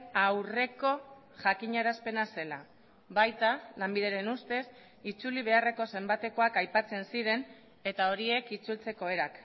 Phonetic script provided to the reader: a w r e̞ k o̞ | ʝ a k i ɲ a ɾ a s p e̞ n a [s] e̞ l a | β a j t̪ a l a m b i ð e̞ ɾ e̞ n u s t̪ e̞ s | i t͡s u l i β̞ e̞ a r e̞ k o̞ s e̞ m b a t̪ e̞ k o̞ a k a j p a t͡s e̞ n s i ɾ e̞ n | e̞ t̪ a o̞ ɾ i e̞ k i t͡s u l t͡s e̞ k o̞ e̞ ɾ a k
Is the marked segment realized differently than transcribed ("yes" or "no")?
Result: no